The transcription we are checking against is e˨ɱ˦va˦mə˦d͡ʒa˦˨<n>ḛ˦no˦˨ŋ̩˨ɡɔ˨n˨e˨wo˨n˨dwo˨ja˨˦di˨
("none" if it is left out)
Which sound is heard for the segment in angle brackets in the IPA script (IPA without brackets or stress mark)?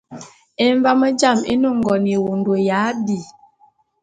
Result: m